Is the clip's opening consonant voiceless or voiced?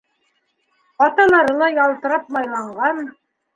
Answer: voiceless